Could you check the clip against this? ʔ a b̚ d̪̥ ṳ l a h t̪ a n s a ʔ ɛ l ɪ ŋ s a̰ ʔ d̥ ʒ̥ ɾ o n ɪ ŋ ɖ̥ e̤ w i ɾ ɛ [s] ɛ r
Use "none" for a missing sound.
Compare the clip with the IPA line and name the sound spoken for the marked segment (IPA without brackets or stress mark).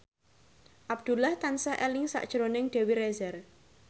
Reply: z